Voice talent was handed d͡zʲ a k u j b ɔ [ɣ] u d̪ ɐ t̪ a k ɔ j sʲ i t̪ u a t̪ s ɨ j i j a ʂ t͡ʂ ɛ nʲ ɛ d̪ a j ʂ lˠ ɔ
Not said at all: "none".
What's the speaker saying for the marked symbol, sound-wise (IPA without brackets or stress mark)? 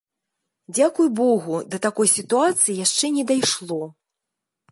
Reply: ɣ